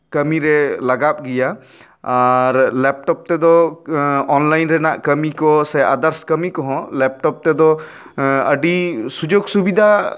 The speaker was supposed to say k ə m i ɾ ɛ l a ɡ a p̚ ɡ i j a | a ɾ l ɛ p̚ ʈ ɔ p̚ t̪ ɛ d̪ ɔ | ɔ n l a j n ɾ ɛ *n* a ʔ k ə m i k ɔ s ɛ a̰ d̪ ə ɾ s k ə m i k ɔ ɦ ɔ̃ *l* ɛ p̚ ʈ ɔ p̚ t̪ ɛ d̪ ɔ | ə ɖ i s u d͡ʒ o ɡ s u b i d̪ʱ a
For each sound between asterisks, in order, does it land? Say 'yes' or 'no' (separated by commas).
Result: yes, yes